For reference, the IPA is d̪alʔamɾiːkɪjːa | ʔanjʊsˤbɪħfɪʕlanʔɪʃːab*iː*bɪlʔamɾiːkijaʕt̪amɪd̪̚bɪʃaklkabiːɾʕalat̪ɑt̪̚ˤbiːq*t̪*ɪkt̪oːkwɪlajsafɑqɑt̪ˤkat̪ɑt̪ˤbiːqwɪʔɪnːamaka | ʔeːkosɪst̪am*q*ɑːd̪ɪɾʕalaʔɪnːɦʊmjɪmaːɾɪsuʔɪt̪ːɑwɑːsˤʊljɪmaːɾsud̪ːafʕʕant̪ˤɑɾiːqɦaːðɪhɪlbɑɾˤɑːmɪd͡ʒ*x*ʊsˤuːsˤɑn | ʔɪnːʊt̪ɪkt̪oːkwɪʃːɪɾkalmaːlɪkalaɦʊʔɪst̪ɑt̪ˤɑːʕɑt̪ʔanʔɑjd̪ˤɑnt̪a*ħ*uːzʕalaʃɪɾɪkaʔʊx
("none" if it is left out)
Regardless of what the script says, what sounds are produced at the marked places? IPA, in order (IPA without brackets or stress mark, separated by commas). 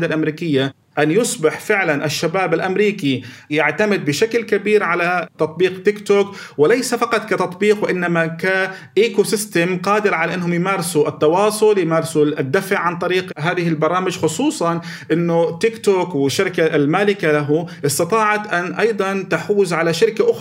aː, t̪, q, x, ħ